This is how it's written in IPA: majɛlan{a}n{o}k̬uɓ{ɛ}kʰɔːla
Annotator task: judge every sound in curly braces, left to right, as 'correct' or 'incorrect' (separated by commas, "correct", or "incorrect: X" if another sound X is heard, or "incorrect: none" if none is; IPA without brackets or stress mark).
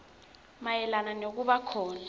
correct, correct, incorrect: a